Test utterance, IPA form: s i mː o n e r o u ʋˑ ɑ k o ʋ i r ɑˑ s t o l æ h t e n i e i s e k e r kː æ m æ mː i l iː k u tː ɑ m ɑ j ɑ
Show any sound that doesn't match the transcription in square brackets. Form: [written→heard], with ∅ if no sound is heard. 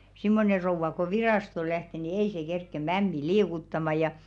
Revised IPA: s i mː o n e r o u ʋˑ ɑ k o ʋ i r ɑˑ s t o l æ h t e n i e i s e k e r kː [æ→e] m æ mː i l iː k u tː ɑ m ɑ j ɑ

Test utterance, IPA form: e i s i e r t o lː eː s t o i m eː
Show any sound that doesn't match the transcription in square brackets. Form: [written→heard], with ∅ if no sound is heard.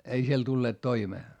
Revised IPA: e i s i e [r→l] t [o→u] lː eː [s→t] t o i m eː

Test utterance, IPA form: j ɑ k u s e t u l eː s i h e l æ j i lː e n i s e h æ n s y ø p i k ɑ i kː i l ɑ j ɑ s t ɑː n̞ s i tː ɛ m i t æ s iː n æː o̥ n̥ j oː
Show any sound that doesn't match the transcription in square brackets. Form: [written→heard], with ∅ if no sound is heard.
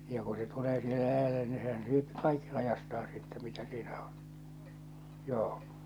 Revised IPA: j ɑ k u s e t u l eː s i h e l æ j [i→æ] lː e n i s e h æ n s y ø p i k ɑ i kː i l ɑ j ɑ s t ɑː n̞ s i tː ɛ m i t æ s iː n [æː→æ] o̥ n̥ j oː

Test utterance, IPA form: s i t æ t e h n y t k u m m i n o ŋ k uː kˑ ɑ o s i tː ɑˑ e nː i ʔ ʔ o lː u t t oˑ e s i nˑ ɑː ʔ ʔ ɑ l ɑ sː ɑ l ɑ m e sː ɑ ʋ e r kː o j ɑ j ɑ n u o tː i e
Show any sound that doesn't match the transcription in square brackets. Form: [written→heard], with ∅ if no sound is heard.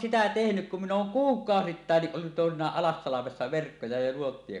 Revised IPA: s i t æ t e h n y [t→k] k u m m i n [o→oː] ŋ k uː kˑ ɑ o s i tː ɑˑ e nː i ʔ ʔ o lː u t t oˑ e s i nˑ ɑː ʔ ʔ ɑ l ɑ sː ɑ l ɑ m e sː ɑ ʋ e r kː o j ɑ j ɑ n u o tː i e

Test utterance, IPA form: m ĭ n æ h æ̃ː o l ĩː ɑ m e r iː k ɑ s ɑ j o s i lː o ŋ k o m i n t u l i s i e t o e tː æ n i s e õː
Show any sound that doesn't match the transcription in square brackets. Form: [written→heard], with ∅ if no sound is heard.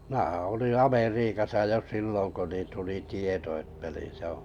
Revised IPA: m ĭ n æ h æ̃ː o l ĩː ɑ m e r iː k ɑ s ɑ j o s i lː o ŋ k o [m→n] i n t u l i [s→t] i e t o e tː æ n i s e õː

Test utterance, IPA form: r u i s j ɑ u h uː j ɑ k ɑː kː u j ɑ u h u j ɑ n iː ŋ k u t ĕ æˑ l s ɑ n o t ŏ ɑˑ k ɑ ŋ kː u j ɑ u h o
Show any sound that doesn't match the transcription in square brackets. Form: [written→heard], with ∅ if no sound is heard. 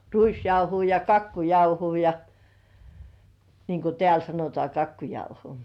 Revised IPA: r u i s j ɑ u h uː j ɑ k [ɑː→ɑ] kː u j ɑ u h [u→uː] j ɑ n iː ŋ k u t ĕ æˑ l s ɑ n o t ŏ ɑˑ k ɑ [ŋ→∅] kː u j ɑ u h o

